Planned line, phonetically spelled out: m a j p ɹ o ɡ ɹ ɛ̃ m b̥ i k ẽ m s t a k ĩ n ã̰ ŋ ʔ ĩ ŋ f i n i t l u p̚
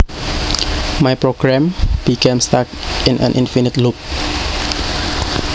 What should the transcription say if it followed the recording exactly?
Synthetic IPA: m a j p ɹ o ɡ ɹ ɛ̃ m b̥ i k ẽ m s t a k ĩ n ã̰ n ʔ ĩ n f i n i t l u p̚